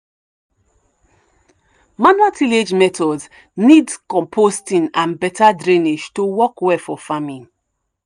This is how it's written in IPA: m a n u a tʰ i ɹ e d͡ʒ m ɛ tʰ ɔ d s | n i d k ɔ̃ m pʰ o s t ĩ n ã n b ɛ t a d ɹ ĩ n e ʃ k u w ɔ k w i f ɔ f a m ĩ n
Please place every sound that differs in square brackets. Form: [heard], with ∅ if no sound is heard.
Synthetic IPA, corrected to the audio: m a n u a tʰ i [l] e d͡ʒ m ɛ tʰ ɔ d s | n i d k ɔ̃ m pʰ o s t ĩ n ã n b ɛ t a d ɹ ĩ n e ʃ [t] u w ɔ k w [ɛ] f ɔ f a m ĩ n